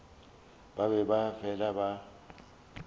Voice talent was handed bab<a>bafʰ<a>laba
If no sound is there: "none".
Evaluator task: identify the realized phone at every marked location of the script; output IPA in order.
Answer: ɛ, ɛ

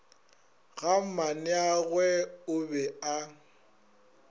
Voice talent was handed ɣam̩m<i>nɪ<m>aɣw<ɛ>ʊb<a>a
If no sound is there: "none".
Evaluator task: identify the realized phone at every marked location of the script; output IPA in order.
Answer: a, none, ɛ, ɛ

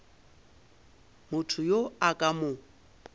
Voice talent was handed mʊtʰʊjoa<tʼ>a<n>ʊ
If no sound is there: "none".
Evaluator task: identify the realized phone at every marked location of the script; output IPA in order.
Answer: kʼ, m

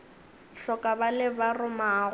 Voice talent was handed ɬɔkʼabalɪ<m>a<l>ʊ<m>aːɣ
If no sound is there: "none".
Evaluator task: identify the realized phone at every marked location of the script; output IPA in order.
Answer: b, r, m

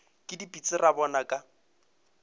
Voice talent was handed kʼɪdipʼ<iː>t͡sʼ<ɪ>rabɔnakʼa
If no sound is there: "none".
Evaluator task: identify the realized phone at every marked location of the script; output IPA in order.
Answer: i, ɪ

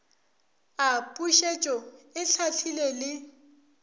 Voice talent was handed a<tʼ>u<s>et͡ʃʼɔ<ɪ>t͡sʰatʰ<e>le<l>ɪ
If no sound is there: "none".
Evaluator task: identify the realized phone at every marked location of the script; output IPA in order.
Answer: pʼ, ʃ, ɪ, i, l

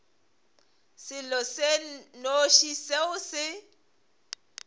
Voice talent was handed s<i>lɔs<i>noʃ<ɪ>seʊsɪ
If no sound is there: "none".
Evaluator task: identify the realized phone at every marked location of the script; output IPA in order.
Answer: ɪ, e, i

